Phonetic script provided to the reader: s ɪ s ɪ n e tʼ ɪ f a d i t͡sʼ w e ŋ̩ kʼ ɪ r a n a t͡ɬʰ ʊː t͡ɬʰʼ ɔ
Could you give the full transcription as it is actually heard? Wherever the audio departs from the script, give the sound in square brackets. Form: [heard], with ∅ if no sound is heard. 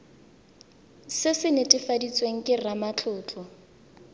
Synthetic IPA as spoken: s ɪ s ɪ n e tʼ ɪ f a d i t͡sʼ w e ŋ̩ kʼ ɪ r a [m] a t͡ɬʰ ʊː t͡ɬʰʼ ɔ